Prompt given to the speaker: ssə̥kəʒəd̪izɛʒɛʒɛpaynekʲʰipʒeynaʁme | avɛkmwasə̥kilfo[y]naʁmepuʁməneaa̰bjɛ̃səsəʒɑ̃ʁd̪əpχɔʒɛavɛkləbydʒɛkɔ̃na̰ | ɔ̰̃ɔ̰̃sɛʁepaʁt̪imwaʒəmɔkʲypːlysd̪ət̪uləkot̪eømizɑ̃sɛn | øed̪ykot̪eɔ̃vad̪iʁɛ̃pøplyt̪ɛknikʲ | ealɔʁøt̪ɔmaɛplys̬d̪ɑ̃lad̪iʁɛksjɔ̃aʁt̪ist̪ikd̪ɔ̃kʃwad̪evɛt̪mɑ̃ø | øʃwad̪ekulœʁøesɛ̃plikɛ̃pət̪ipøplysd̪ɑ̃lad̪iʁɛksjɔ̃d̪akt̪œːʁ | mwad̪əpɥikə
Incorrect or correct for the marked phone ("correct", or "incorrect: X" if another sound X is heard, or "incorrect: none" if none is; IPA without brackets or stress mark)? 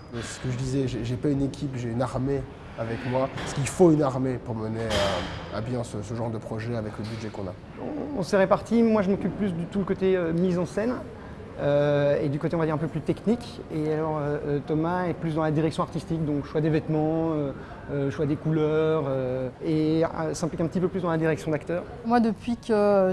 correct